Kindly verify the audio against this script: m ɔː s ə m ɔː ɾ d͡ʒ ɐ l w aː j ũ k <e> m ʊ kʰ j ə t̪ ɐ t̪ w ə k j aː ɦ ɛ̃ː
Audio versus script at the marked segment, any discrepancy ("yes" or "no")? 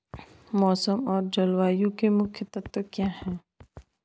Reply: no